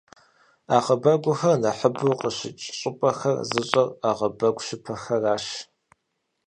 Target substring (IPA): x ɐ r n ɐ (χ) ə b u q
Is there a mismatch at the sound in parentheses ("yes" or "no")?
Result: yes